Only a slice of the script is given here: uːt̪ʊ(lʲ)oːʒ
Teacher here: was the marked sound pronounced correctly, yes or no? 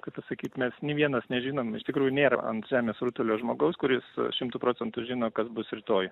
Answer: yes